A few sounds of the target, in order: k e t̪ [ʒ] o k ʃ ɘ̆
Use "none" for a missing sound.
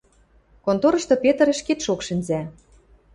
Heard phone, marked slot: ʃ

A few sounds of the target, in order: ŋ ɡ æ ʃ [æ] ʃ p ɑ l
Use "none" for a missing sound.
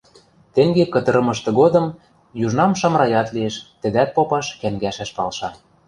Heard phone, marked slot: æ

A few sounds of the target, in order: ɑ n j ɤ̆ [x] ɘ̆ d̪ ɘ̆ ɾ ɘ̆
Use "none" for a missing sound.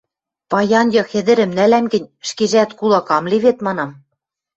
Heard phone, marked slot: x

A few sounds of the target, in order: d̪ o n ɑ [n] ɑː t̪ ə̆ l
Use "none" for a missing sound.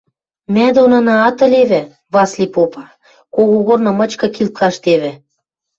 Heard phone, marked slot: n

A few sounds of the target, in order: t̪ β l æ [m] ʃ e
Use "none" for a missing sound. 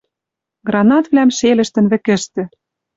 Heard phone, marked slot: m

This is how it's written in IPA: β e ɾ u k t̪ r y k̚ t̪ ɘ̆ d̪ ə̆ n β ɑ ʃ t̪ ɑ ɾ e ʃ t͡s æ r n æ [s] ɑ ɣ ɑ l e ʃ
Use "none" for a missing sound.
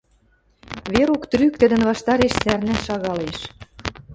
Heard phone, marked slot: ʃ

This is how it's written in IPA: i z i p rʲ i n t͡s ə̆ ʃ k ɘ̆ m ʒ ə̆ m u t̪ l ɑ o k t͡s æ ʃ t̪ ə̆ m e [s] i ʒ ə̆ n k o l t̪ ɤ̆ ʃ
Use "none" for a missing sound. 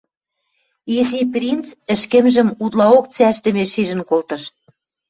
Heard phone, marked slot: ʃ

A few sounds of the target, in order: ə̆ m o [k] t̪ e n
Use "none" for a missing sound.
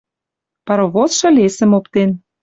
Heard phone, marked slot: p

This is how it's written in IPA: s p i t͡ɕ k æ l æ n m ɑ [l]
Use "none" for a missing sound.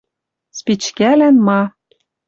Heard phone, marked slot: none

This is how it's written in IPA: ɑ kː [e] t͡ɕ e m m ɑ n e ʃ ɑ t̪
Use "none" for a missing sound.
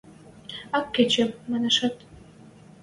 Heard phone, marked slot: e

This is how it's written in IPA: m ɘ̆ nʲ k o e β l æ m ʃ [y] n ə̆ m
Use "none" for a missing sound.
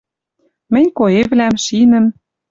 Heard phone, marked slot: i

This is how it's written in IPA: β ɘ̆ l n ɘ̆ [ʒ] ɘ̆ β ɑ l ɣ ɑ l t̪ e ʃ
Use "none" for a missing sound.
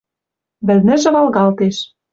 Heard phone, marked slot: ʒ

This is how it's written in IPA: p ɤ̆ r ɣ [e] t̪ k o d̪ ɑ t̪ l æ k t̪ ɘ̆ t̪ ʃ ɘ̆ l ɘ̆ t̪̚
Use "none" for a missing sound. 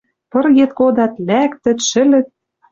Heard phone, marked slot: e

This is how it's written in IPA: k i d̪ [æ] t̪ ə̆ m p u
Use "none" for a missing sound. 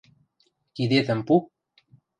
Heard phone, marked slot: e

